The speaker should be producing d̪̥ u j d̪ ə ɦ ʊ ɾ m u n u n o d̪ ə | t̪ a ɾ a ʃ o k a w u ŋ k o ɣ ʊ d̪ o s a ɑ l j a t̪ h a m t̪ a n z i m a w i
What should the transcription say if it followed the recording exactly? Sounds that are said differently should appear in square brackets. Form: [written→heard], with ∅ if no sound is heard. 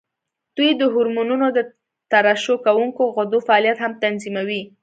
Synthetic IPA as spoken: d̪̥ u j d̪ ə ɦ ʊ ɾ m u n u n o d̪ ə | t̪ a ɾ a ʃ o k a w u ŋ k o ɣ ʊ d̪ o [s→f] a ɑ l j a t̪ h a m t̪ a n z i m a w i